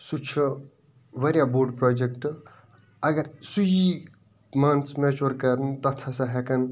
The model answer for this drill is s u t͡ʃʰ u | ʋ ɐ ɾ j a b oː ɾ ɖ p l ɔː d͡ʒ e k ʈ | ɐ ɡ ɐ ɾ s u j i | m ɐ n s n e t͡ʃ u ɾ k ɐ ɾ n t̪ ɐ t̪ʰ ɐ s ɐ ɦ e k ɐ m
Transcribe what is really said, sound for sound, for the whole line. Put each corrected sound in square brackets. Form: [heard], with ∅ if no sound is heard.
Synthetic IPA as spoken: s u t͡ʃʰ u | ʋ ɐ ɾ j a b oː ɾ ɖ p [ɾ] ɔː d͡ʒ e k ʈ | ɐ ɡ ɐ ɾ s u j i | m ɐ n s [m] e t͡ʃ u ɾ k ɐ ɾ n t̪ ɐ t̪ʰ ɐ s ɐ ɦ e k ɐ [n]